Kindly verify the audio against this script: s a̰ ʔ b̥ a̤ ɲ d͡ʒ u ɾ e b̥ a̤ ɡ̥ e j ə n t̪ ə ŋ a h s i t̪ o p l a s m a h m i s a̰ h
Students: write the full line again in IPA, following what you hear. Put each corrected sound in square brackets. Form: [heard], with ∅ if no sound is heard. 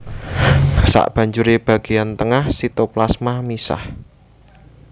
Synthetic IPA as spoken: s a̰ ʔ b̥ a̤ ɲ d͡ʒ u ɾ e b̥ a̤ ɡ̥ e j [a] n t̪ ə ŋ a h s i t̪ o p l a s m a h m i s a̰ h